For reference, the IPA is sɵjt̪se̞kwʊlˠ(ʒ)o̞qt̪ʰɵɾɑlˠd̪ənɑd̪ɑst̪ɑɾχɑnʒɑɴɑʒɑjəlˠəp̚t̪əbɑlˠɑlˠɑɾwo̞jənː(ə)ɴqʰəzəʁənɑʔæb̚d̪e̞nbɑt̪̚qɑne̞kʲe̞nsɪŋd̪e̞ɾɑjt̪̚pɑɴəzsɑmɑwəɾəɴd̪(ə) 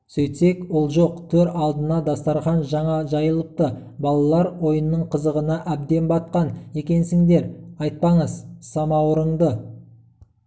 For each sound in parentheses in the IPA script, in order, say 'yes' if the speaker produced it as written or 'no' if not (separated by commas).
yes, yes, yes